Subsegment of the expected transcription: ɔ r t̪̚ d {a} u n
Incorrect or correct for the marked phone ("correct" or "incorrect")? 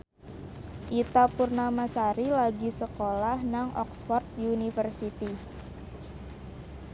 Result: incorrect